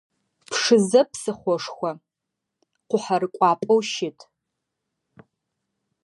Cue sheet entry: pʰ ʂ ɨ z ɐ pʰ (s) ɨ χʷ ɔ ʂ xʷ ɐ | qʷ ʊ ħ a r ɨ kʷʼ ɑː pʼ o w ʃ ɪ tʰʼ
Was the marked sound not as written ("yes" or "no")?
no